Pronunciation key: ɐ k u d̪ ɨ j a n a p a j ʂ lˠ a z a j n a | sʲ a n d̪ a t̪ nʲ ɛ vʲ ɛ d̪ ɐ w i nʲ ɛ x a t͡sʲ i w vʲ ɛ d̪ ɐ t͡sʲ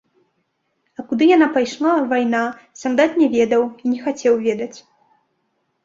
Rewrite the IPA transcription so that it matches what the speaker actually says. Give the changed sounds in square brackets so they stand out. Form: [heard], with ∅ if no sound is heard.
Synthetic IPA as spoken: ɐ k u d̪ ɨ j a n a p a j ʂ lˠ a [v] a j n a | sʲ a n d̪ a t̪ nʲ ɛ vʲ ɛ d̪ ɐ w i nʲ ɛ x a t͡sʲ [ɛ] w vʲ ɛ d̪ ɐ t͡sʲ